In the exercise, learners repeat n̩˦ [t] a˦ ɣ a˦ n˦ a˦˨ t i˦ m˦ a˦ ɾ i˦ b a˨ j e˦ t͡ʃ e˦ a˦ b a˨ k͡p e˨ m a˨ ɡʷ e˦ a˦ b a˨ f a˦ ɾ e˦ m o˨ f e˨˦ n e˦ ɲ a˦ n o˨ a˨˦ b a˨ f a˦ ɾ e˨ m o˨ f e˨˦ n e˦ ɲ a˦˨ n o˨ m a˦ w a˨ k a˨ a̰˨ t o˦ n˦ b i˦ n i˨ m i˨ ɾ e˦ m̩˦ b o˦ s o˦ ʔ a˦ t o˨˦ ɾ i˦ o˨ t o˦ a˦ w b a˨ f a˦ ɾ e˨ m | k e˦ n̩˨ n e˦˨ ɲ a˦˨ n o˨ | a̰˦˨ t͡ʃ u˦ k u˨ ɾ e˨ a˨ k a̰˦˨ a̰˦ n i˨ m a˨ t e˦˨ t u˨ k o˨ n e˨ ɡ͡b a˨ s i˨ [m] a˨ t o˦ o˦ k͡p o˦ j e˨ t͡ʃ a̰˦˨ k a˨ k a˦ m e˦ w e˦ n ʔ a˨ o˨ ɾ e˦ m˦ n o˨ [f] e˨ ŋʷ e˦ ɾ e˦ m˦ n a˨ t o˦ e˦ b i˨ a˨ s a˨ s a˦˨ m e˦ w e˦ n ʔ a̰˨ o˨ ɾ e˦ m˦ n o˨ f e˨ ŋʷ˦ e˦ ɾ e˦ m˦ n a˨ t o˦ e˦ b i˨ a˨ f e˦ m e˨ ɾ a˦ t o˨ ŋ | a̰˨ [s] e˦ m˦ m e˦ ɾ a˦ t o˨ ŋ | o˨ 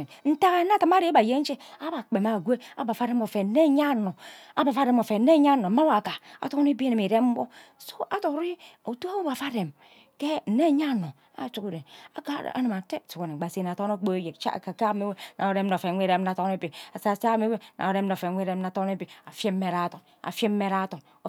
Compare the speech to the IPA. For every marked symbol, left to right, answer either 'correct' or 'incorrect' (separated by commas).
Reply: correct, incorrect, correct, incorrect